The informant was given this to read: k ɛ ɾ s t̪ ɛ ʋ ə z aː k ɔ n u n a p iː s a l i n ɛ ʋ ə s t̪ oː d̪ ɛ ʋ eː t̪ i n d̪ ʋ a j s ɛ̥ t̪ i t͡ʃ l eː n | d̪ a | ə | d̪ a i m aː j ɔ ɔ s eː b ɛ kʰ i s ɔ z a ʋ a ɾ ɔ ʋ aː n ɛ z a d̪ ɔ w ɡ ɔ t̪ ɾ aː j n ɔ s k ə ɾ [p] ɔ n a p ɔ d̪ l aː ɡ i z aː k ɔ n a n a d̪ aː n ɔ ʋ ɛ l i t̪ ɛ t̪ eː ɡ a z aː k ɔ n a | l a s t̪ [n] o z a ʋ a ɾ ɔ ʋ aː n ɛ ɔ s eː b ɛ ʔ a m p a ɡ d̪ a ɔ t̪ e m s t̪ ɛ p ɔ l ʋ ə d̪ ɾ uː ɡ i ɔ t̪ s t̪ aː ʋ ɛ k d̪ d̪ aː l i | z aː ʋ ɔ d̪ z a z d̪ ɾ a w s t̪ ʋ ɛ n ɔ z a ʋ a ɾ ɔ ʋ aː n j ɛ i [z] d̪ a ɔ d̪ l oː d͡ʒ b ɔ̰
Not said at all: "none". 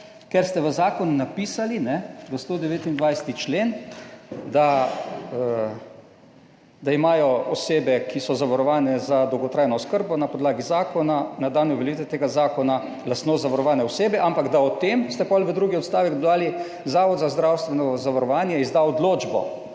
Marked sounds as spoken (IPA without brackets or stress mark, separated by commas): b, n, z